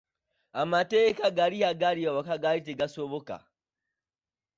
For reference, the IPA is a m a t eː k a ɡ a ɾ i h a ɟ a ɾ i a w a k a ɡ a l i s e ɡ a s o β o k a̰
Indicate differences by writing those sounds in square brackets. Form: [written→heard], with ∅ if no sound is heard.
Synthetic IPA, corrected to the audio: a m a t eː k a ɡ a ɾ i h a [ɟ→ɡ] a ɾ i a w a k a ɡ a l i [s→t] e ɡ a s o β o k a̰